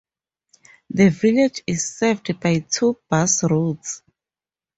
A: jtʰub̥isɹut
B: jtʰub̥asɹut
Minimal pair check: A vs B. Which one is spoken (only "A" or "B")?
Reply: B